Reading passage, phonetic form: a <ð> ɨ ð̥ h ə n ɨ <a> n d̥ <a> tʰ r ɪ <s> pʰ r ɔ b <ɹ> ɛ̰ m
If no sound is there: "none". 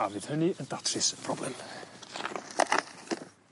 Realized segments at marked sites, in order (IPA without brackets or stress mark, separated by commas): v, ə, a, s, l